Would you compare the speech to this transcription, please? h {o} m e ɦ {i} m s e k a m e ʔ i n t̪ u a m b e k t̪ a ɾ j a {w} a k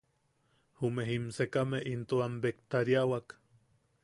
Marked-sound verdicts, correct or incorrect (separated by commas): incorrect, correct, correct